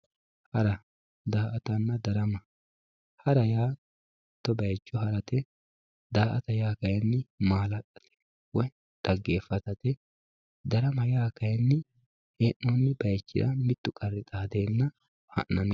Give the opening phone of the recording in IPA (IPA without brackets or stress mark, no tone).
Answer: h